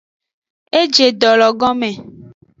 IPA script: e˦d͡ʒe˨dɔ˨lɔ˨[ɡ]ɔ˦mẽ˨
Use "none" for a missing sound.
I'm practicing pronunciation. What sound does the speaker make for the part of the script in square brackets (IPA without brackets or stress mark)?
ɡ